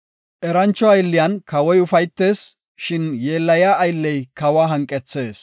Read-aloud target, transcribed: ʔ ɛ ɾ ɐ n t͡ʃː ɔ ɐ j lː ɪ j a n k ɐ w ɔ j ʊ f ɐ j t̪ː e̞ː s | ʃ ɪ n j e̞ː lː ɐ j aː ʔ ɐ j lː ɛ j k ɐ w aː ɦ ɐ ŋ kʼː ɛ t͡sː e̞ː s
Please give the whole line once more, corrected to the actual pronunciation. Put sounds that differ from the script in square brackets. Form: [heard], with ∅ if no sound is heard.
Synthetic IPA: ʔ ɛ ɾ ɐ n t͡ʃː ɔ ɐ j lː ɪ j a n k ɐ w ɔ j ʊ f ɐ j t̪ː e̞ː s | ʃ ɪ n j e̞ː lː ɐ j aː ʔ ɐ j lː ɛ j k ɐ w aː ɦ ɐ ŋ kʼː ɛ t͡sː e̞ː s